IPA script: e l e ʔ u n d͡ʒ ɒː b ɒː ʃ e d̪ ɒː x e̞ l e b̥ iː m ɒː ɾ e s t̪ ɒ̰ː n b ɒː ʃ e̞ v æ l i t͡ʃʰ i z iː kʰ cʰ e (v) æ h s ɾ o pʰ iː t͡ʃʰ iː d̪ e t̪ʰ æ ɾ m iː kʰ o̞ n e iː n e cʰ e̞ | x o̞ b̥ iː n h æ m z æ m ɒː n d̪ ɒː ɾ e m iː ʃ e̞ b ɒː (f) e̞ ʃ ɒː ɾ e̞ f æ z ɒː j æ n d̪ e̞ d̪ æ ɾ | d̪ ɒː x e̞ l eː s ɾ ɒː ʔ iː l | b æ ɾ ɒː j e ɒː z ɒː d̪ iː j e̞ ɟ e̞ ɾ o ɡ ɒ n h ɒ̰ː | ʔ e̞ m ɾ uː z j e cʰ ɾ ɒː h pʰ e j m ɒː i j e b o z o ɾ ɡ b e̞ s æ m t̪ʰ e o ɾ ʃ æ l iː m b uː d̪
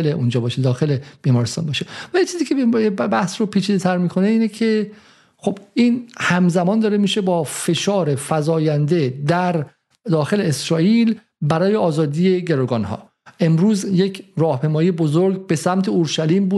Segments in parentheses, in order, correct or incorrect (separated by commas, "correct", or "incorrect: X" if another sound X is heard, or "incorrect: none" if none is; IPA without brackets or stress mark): incorrect: b, correct